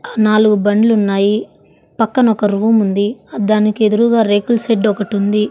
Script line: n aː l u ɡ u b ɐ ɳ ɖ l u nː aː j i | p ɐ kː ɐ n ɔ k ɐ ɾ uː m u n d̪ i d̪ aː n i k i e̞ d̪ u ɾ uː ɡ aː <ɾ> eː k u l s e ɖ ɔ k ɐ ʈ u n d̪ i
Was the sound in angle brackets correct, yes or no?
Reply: yes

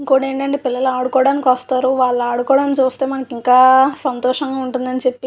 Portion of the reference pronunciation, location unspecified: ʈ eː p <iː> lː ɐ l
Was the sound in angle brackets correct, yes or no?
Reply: no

